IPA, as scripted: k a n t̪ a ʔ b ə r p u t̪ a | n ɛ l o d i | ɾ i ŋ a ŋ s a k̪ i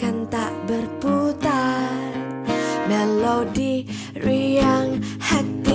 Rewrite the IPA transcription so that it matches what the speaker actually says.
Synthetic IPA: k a n t̪ a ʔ b ə r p u t̪ a | m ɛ l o d i | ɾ i a ŋ h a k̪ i